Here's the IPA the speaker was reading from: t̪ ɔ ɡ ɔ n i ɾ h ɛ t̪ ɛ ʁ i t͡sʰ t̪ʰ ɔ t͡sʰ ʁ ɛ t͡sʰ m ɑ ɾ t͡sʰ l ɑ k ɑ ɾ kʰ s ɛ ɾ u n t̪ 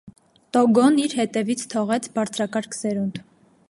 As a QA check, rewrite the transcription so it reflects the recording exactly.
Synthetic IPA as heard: t̪ ɔ ɡ ɔ n i ɾ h ɛ t̪ ɛ v i t͡sʰ t̪ʰ ɔ ʁ ɛ t͡sʰ b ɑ ɾ t͡sʰ ɾ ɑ k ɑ ɾ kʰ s ɛ ɾ u n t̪